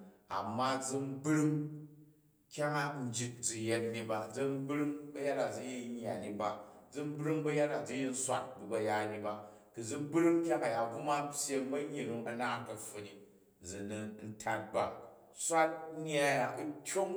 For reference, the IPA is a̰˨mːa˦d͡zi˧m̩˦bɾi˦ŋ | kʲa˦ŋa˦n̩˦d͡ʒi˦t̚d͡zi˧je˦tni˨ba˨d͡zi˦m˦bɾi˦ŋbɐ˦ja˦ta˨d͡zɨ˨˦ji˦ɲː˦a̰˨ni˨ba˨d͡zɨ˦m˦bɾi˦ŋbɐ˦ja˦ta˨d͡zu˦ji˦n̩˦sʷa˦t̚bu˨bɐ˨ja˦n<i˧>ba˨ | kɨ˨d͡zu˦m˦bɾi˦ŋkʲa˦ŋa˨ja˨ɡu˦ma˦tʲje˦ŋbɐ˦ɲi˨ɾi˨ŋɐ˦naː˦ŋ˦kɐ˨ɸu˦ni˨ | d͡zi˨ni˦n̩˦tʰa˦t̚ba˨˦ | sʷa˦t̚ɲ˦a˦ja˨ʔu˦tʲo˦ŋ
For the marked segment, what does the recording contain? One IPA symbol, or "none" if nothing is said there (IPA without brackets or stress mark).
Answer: i˧